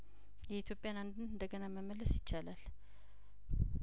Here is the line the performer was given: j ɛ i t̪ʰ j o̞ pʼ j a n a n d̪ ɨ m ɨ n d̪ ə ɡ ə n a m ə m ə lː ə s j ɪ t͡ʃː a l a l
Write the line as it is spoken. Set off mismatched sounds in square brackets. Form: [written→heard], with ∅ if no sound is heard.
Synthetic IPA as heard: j ɛ i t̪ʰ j o̞ pʼ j a n a n d̪ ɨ [m→n] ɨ n d̪ ə ɡ ə n a m ə m ə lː ə s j ɪ t͡ʃː a l a l